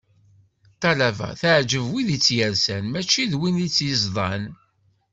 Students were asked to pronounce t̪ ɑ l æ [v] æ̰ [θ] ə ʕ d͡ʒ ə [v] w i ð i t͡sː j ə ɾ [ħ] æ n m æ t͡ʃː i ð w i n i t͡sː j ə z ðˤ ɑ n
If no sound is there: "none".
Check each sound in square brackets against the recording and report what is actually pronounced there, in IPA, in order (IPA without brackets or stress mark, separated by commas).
v, θ, v, s